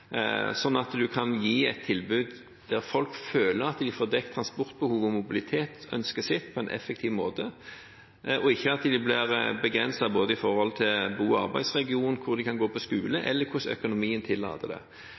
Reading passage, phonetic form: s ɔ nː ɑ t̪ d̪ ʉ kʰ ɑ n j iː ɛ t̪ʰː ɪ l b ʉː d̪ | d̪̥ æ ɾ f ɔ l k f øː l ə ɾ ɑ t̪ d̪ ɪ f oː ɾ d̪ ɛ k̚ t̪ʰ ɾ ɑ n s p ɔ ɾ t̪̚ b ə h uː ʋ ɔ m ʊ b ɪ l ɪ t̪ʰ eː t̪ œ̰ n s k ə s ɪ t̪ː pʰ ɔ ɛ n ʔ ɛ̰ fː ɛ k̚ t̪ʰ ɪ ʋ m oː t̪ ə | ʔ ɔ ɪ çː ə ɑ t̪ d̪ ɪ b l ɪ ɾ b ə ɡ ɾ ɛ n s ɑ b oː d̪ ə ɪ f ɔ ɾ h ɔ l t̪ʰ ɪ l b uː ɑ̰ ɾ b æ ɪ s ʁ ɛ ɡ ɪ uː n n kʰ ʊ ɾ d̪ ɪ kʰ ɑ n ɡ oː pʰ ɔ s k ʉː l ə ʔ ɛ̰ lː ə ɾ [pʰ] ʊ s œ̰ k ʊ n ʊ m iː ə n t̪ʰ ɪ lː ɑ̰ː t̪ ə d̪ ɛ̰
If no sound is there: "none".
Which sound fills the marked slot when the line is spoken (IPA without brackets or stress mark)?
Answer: kʰ